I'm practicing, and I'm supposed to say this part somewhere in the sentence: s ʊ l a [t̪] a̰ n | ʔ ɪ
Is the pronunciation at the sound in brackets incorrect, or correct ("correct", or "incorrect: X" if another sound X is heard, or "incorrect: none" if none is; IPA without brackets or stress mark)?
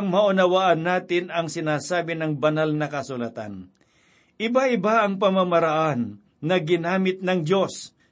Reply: correct